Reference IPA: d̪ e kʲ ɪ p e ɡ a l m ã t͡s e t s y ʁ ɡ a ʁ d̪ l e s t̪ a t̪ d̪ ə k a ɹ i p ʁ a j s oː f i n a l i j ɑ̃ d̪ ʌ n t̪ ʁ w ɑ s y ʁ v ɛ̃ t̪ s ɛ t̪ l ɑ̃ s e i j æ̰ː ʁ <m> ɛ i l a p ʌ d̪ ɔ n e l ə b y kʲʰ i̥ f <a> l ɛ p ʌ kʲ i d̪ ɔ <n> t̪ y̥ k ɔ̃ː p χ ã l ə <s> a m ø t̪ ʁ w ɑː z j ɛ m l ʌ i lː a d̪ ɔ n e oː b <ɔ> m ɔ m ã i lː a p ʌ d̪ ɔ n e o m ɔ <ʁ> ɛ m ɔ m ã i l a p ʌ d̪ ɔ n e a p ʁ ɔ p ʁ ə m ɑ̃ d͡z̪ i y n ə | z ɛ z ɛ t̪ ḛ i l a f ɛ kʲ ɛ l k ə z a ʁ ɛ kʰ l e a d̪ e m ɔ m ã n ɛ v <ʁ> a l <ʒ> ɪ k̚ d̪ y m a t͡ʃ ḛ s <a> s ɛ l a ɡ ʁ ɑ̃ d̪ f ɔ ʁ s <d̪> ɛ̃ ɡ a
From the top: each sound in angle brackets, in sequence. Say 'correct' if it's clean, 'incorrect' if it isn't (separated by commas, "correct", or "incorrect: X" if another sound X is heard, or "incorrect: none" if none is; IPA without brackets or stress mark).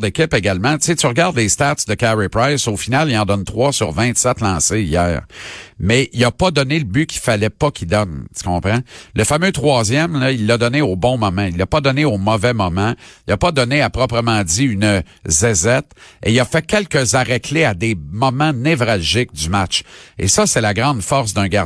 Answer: correct, correct, correct, incorrect: f, incorrect: ɔ̃, incorrect: v, correct, correct, incorrect: ʌ, correct